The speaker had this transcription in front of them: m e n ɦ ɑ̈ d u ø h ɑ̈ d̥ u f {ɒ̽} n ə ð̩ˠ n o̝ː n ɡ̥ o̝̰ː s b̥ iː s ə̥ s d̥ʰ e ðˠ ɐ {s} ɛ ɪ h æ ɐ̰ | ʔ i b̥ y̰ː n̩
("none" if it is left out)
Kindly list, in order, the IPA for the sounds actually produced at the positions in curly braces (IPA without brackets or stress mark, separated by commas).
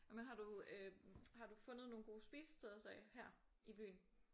ɔ̽, s